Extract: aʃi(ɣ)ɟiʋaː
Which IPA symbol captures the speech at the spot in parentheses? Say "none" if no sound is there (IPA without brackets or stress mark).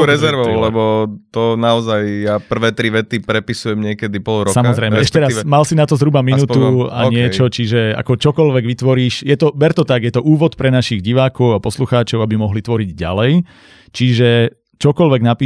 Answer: ɣ